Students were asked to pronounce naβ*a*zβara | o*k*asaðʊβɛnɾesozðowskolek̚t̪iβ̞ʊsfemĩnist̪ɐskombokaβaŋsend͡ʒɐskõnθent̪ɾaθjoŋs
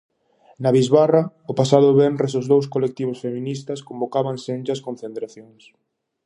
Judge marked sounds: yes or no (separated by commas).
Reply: no, no